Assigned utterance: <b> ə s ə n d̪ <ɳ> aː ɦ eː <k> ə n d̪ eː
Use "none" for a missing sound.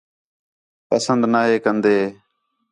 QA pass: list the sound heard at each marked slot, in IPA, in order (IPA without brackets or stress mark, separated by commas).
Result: p, n, k